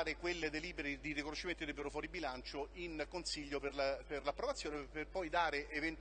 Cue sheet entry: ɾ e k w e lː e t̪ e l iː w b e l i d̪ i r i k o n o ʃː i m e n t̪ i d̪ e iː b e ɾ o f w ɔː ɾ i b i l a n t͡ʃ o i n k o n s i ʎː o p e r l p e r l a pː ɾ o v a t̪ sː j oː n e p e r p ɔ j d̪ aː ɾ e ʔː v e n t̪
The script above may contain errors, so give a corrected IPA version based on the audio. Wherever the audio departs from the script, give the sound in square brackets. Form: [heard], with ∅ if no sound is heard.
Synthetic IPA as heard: ɾ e k w e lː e [d̪] e l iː [∅] b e [ɾ] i d̪ i r i k o n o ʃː i m e n t̪ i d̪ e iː b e ɾ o f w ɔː ɾ i b i l a n t͡ʃ o i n k o n s i ʎː o p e r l p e r l a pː ɾ o v a t̪ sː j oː n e p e r p ɔ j d̪ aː ɾ e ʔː v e n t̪